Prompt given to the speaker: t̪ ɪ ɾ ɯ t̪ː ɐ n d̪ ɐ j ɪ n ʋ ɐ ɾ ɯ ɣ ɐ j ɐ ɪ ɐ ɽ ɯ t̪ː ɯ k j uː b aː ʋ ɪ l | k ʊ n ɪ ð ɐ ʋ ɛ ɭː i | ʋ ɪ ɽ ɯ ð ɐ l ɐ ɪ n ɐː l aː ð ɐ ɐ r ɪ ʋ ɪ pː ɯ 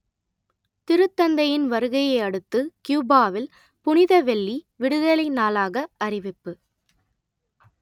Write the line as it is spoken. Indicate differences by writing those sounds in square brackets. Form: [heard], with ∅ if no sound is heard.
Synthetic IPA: t̪ ɪ ɾ ɯ t̪ː ɐ n d̪ ɐ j ɪ n ʋ ɐ ɾ ɯ ɣ ɐ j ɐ ɪ ɐ ɽ ɯ t̪ː ɯ k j uː b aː ʋ ɪ l | [p] ʊ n ɪ ð ɐ ʋ ɛ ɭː i | ʋ ɪ ɽ ɯ ð ɐ l ɐ ɪ n [aː] l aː [ɣ] ɐ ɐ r ɪ ʋ ɪ pː ɯ